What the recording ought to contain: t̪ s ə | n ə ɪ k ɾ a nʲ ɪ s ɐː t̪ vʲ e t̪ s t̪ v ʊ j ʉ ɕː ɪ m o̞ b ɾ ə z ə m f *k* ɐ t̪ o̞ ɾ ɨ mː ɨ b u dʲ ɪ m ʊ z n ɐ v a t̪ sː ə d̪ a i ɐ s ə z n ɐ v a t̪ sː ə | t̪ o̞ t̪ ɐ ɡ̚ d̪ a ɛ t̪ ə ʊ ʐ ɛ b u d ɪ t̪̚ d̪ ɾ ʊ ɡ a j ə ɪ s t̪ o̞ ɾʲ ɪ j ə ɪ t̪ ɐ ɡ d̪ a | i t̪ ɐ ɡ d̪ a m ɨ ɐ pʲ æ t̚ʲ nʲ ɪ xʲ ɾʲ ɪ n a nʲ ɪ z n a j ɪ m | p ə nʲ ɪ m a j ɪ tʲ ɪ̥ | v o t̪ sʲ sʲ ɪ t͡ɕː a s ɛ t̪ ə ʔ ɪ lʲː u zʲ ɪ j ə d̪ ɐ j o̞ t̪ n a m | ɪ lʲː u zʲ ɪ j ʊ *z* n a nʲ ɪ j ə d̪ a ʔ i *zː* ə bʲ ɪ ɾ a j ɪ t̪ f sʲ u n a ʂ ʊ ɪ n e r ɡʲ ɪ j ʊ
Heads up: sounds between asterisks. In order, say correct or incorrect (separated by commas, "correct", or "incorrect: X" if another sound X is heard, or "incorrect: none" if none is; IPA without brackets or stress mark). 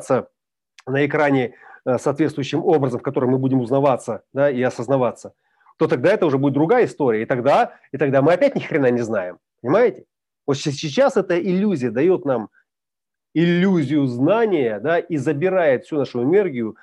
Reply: correct, correct, incorrect: z